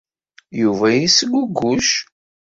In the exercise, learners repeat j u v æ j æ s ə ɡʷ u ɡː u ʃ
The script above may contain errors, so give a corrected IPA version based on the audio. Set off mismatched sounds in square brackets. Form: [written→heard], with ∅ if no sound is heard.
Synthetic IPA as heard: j u v æ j [æ→i] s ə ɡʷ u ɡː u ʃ

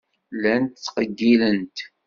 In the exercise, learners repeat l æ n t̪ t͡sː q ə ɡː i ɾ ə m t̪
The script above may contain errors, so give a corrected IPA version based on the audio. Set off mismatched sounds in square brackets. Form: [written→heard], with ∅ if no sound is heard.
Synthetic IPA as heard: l æ n t̪ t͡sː q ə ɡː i [ɾ→l] ə [m→n] t̪

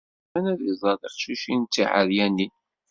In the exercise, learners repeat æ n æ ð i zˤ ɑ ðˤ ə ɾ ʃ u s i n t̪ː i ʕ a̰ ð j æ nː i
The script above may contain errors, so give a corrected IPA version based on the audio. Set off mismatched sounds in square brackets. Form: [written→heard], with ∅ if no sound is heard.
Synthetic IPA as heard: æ n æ ð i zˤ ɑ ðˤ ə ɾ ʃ u [s→ʃ] i n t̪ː i ʕ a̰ ð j æ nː i

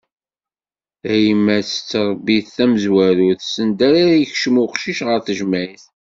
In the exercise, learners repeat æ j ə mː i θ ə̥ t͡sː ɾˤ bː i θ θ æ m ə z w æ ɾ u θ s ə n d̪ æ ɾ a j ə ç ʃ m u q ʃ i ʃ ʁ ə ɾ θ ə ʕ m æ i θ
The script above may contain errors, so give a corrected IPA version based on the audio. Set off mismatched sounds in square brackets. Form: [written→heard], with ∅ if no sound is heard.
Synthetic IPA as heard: æ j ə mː [i→æ] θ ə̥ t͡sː ɾˤ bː i θ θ æ m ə z w æ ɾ u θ s ə n d̪ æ ɾ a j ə ç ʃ m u q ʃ i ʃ ʁ ə ɾ θ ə [ʕ→ʒ] m æ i θ

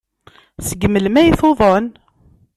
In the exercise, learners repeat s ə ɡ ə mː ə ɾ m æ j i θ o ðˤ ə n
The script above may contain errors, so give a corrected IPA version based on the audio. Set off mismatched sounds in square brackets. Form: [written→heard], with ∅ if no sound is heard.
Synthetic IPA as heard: s ə ɡ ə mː ə [ɾ→l] m æ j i θ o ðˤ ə n

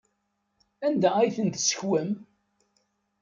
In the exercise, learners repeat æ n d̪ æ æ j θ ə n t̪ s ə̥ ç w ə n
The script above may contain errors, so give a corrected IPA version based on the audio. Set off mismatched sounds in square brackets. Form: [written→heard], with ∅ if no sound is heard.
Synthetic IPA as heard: æ n d̪ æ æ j θ ə n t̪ s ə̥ ç w ə [n→m]

